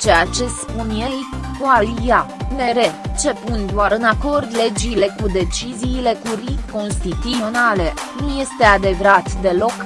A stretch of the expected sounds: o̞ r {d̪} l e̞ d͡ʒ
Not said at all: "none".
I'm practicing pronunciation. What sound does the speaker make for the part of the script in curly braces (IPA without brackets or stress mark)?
d̪